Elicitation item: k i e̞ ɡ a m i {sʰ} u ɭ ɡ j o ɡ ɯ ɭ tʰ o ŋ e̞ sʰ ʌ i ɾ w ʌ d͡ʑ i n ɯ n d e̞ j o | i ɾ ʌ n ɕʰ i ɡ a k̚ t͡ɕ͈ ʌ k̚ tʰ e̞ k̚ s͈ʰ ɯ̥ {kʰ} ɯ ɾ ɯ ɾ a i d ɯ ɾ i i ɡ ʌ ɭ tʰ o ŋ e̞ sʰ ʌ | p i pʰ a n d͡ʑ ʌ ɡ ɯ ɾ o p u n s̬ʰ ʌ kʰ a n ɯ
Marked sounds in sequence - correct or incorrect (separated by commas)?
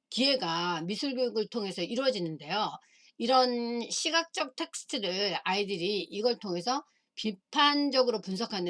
correct, incorrect